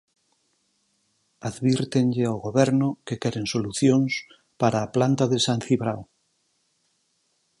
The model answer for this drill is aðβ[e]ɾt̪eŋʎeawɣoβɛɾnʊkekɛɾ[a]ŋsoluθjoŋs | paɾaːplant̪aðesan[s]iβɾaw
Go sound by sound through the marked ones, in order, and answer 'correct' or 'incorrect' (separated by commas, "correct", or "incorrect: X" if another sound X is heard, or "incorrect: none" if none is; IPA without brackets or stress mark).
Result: incorrect: i, incorrect: e, incorrect: θ